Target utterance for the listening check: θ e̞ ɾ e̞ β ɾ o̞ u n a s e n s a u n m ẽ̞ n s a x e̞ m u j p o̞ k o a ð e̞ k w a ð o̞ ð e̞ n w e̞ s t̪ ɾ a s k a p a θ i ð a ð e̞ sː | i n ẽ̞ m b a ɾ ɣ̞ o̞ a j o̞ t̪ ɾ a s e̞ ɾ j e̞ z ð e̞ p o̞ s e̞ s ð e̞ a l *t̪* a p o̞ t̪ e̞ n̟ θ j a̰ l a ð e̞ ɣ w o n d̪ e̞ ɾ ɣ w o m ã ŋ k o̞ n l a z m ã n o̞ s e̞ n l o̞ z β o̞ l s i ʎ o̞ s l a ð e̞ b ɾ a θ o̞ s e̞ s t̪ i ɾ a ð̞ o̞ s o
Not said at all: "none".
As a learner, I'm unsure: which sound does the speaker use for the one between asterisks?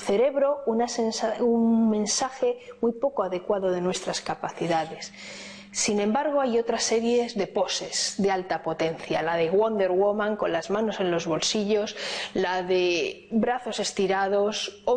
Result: t̪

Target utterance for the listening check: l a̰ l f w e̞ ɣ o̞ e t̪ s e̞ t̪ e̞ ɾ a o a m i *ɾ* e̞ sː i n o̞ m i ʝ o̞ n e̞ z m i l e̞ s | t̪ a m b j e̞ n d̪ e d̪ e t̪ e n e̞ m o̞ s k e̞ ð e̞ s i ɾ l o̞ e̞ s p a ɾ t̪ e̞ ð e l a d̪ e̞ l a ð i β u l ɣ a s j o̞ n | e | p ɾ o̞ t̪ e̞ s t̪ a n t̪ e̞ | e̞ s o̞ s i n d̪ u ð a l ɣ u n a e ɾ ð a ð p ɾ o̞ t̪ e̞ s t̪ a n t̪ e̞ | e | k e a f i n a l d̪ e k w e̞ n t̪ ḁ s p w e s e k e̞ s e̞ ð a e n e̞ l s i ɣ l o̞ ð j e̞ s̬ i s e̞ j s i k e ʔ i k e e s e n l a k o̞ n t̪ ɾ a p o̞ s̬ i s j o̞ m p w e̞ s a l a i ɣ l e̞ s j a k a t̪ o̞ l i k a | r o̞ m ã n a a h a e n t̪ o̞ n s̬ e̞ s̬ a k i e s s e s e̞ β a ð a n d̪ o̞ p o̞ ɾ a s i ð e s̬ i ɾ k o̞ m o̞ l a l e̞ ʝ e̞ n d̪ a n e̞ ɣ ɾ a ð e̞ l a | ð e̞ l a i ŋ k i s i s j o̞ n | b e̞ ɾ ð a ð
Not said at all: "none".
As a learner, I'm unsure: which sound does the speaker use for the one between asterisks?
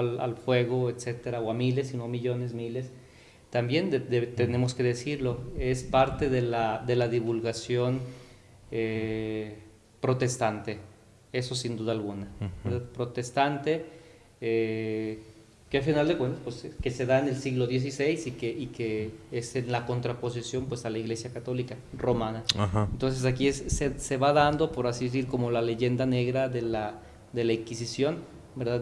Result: l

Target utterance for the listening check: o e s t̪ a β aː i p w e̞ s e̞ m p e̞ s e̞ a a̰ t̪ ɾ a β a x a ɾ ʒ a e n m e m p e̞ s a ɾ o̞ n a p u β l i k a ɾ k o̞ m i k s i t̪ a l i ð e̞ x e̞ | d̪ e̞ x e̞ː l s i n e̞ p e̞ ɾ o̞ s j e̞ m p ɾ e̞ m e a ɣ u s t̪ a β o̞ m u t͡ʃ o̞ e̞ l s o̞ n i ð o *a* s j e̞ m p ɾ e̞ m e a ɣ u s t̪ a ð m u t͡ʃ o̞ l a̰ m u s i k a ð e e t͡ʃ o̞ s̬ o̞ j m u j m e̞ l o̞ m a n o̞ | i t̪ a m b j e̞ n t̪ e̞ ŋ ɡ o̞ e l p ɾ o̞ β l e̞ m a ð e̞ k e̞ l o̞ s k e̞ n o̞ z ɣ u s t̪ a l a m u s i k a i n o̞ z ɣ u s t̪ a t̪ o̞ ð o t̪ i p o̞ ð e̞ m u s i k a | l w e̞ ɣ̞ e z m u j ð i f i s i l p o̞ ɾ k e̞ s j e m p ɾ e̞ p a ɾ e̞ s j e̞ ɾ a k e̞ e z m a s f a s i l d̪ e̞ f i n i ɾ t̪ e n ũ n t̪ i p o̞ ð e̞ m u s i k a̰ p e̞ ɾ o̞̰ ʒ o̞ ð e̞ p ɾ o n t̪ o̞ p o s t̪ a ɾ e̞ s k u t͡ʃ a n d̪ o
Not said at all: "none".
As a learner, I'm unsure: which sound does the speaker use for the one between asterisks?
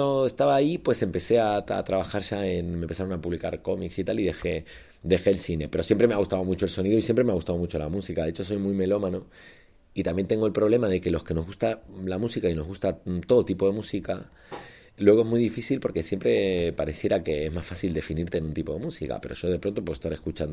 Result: i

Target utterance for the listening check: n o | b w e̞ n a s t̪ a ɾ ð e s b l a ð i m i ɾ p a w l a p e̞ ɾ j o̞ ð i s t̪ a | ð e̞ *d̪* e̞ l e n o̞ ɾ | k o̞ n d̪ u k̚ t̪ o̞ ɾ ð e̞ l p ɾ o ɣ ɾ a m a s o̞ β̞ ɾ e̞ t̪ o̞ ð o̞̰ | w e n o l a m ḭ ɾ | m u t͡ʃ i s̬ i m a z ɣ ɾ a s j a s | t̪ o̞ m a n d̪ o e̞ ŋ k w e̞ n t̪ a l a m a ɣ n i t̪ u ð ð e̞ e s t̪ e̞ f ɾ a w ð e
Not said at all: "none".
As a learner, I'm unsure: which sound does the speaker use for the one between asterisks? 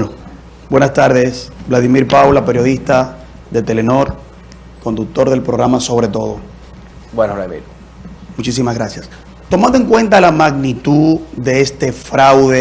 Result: t̪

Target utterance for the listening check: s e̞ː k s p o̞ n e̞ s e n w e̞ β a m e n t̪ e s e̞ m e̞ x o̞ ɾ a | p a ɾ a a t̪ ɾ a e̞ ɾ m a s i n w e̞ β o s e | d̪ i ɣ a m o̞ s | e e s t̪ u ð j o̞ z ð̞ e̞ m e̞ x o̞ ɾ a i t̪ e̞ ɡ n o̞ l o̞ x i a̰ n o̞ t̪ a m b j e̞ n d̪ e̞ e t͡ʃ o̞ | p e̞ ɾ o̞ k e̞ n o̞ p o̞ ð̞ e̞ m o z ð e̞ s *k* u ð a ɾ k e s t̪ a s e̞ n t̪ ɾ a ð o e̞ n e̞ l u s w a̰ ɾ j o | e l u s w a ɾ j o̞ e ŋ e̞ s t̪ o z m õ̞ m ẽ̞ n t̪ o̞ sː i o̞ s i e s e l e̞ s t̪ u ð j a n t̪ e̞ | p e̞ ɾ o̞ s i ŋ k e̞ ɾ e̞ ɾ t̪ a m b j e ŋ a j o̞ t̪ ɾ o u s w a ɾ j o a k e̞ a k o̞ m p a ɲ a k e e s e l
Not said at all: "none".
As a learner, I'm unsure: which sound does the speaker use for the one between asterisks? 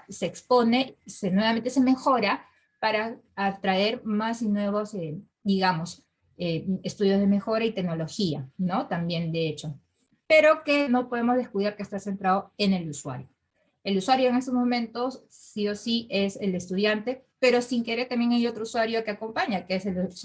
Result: k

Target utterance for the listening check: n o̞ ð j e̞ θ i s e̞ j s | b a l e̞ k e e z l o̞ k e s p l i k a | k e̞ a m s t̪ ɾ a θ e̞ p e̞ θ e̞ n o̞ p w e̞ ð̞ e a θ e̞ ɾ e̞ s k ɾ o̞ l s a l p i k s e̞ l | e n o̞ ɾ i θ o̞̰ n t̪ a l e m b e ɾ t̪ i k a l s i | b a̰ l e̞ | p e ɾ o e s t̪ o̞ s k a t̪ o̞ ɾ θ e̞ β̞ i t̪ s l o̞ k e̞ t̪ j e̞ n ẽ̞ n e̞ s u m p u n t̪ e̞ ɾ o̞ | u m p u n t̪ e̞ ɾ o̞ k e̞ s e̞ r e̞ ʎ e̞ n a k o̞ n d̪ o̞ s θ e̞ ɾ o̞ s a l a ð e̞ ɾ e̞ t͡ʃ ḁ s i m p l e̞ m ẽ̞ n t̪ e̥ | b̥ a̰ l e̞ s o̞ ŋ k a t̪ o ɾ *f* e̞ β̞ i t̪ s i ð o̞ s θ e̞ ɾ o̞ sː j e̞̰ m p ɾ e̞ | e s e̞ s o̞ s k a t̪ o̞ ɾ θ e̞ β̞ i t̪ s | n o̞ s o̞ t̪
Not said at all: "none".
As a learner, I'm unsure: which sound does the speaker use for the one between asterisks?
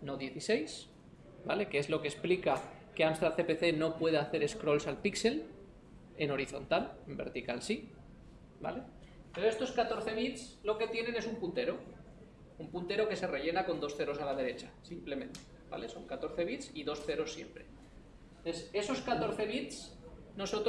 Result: θ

